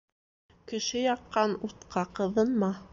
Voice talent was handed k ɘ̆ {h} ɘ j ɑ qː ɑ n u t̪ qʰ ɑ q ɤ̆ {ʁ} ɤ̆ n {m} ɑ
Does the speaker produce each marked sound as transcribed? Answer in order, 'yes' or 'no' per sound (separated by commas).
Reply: no, no, yes